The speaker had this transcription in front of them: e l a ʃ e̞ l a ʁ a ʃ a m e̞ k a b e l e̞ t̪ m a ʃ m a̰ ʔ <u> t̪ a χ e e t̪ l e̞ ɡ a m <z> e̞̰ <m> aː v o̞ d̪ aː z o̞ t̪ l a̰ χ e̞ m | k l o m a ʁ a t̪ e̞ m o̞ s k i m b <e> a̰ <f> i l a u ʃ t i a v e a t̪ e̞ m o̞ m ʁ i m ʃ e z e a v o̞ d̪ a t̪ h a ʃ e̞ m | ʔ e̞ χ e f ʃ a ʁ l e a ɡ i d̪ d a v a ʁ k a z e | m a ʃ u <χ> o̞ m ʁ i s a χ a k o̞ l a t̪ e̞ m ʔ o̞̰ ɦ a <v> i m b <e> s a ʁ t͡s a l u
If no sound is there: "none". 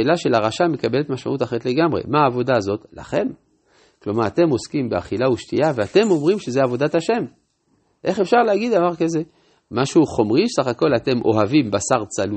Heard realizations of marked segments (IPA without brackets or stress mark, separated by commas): u, ʁ, m, e, χ, χ, v, a